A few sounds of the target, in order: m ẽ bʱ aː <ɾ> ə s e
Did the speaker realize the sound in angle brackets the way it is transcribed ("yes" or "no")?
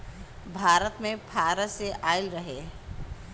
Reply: yes